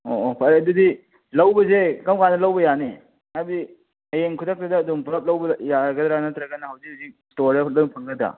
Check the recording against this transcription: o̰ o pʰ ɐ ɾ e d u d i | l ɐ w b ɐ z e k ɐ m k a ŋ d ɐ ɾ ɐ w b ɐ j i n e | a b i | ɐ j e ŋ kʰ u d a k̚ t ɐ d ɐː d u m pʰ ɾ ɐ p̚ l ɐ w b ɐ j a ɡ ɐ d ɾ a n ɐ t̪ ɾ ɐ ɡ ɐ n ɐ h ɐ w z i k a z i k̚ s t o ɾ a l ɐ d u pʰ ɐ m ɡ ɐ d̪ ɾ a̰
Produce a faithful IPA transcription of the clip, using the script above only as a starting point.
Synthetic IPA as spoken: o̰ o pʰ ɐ ɾ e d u d i | l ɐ w b ɐ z e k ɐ m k a n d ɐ l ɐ w b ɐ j a n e | a b i | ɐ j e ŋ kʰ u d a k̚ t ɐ d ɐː d u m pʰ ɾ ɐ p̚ l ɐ w b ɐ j a ɡ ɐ d ɾ a n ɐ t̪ ɾ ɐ ɡ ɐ n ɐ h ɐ w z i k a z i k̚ s t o ɾ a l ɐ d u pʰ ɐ ŋ ɡ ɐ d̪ ɾ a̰